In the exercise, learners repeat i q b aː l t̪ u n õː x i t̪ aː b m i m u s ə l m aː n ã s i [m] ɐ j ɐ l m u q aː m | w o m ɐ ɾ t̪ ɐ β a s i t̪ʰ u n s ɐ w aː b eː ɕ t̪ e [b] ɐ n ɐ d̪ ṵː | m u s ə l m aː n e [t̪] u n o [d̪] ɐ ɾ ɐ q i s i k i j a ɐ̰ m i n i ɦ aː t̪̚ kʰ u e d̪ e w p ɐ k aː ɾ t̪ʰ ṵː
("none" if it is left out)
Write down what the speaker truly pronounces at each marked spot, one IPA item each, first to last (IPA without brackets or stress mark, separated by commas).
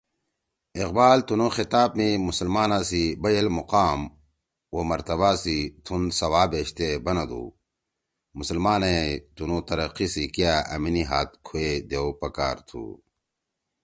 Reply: b, b, t̪, t̪